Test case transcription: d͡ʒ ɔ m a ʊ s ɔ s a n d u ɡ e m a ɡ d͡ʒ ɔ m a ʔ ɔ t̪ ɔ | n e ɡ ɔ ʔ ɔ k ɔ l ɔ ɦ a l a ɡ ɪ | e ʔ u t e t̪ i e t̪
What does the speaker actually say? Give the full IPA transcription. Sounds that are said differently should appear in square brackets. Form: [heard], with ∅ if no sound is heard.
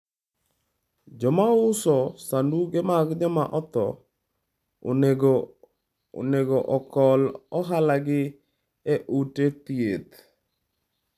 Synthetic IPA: d͡ʒ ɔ m a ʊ s ɔ s a n d u ɡ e m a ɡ d͡ʒ ɔ m a ʔ ɔ t̪ ɔ | n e ɡ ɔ ʔ ɔ k ɔ l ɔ ɦ a l a ɡ ɪ | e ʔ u t e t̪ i e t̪